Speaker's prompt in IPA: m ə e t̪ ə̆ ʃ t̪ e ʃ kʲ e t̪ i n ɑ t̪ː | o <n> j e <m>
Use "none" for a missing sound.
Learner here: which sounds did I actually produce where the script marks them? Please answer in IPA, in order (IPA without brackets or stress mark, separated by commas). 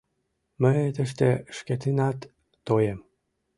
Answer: none, m